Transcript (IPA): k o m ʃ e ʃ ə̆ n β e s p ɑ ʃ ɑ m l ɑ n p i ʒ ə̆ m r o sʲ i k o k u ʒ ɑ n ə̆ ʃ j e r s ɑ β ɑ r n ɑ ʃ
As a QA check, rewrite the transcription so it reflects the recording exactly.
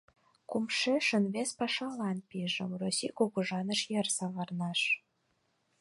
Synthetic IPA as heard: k u m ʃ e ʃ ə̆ n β e s p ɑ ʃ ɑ l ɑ n p i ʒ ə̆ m r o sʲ i k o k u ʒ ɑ n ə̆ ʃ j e r s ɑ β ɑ r n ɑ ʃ